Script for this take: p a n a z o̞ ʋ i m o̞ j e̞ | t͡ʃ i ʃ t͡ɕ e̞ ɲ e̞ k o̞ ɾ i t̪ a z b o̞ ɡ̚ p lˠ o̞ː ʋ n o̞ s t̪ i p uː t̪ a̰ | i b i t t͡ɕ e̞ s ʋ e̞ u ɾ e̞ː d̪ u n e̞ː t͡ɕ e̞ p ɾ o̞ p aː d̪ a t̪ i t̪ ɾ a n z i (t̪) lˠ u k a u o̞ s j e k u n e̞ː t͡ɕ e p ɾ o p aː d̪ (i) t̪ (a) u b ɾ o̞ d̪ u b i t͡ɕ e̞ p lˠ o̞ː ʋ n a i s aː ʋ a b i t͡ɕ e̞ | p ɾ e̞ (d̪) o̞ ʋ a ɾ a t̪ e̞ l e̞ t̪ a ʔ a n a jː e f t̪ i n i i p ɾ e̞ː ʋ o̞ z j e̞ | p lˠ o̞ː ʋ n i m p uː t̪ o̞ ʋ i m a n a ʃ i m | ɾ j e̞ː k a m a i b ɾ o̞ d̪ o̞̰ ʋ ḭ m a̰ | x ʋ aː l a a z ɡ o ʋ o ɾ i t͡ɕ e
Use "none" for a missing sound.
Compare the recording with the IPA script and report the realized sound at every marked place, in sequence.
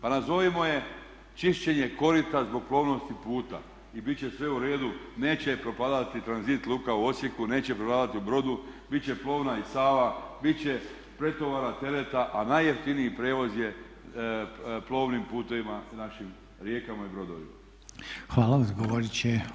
t̪, a, i, t̪

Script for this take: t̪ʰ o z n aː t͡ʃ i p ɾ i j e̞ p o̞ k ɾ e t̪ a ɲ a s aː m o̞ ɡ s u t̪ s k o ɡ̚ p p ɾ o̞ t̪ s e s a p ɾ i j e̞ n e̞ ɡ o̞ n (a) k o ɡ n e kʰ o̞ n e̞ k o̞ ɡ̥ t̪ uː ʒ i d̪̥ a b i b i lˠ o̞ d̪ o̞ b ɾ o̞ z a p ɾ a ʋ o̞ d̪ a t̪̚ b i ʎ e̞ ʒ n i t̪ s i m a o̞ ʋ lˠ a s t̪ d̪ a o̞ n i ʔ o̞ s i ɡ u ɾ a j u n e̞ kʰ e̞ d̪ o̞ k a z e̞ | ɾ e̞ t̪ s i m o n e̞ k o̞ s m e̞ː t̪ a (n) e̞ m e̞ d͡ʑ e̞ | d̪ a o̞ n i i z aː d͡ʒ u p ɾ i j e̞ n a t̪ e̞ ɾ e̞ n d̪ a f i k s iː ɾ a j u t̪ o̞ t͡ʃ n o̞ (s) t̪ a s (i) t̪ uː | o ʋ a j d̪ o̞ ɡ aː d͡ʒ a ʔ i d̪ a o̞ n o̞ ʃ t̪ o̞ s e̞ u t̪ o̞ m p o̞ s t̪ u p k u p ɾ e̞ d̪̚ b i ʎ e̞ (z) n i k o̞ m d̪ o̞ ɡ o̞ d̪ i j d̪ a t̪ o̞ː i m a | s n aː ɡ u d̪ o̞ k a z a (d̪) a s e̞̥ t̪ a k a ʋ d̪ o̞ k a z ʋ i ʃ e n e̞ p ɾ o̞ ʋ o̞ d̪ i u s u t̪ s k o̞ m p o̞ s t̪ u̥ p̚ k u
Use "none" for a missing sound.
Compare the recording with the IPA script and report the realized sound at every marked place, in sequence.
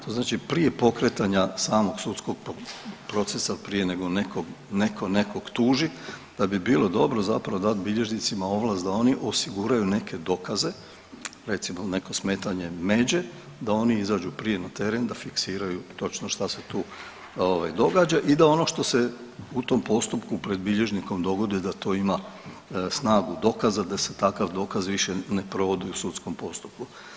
e, ɲ, ʃ, e, ʒ, d̪

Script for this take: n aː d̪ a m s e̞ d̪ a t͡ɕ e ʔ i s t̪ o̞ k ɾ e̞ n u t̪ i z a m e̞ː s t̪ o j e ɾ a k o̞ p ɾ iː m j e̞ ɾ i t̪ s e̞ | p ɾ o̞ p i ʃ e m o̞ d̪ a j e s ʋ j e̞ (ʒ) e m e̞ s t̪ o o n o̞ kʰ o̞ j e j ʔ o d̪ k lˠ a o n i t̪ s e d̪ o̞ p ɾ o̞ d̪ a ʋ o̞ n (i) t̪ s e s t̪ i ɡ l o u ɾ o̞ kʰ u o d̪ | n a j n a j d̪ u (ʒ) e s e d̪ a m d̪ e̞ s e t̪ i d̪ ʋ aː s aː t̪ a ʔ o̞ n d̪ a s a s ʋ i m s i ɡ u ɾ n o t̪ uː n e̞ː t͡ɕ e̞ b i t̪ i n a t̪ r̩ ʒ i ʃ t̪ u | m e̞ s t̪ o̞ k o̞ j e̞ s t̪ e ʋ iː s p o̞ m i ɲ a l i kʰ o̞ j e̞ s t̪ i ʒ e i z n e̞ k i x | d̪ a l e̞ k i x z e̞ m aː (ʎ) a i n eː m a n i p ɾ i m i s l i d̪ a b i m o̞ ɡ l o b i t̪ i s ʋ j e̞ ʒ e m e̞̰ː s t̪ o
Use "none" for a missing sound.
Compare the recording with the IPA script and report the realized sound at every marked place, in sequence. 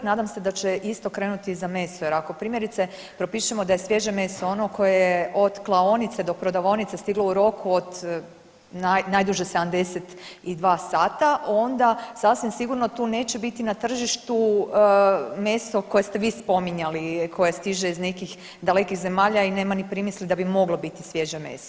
ʒ, i, ʒ, ʎ

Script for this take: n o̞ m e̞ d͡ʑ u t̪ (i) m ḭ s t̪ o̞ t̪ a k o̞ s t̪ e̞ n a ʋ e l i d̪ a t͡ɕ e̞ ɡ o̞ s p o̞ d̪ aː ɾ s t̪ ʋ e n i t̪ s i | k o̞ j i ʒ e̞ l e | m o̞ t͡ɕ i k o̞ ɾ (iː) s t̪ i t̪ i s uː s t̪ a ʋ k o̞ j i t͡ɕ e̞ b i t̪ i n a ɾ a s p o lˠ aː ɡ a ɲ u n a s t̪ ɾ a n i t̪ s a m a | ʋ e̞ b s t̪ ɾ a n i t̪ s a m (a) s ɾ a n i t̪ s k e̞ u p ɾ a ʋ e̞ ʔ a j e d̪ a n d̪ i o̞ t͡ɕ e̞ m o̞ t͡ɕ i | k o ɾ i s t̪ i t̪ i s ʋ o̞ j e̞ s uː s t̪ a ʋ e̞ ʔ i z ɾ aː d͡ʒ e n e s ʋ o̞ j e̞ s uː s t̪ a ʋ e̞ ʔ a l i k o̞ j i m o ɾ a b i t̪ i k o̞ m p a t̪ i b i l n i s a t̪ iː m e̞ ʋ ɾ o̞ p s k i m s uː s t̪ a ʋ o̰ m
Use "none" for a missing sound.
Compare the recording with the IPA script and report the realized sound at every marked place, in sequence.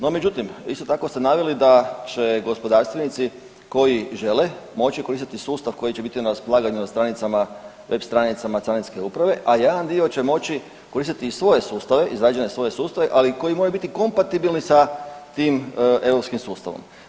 i, i, a

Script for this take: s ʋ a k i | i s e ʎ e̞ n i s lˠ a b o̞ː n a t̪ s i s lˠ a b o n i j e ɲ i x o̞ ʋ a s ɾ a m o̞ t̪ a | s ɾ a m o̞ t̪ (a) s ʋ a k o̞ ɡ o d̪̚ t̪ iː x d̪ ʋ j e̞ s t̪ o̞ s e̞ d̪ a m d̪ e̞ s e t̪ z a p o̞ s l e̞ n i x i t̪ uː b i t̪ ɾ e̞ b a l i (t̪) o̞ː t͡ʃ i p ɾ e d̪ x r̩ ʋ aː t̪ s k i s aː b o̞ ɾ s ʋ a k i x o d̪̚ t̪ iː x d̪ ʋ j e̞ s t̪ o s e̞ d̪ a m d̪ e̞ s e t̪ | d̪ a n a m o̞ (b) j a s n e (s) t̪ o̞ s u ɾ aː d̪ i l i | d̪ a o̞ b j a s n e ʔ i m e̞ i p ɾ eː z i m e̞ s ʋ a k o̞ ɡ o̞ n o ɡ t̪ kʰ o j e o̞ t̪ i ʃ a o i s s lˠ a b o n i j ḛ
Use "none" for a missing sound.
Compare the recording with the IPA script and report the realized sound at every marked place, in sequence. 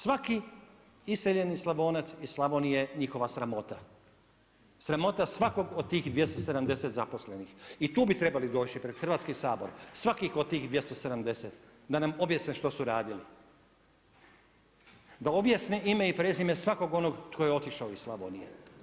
a, d̪, b, ʃ

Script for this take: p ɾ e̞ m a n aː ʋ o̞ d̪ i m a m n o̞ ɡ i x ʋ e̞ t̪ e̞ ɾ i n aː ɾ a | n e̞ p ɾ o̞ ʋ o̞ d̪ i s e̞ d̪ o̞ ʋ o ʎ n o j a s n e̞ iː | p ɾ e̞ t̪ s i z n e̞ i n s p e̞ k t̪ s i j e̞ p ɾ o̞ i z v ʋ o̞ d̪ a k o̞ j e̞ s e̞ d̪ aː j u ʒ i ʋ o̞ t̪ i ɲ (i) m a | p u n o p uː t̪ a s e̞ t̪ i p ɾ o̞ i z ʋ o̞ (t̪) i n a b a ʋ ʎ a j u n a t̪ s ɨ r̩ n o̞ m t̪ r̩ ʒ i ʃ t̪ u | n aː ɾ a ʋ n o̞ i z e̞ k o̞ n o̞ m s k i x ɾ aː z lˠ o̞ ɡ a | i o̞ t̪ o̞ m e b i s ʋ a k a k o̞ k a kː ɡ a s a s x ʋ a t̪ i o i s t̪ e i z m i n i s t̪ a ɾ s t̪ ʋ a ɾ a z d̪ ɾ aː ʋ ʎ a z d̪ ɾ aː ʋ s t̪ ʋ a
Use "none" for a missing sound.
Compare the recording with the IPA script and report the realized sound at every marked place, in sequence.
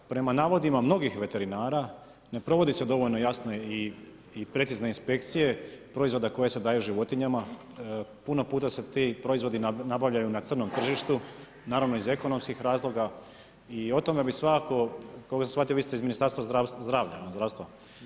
a, d̪

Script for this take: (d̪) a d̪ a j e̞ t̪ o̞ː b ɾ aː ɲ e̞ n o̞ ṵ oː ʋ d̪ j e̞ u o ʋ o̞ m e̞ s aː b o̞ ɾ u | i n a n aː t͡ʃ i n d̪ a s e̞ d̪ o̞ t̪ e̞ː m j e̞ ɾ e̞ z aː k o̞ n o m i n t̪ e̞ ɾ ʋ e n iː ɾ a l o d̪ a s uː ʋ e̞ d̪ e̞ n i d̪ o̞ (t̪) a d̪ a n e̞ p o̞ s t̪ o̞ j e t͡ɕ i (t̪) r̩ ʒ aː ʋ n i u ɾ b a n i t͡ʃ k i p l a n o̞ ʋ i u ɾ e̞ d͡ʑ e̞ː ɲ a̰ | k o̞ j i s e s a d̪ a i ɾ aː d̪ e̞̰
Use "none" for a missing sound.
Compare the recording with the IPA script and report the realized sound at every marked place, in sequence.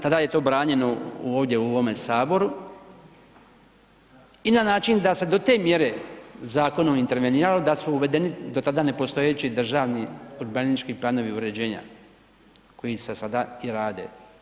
t̪, t̪, d̪

